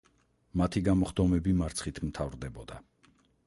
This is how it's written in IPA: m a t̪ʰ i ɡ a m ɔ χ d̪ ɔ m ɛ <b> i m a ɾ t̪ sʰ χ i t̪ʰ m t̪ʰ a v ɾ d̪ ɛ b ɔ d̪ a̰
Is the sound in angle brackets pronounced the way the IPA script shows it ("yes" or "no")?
yes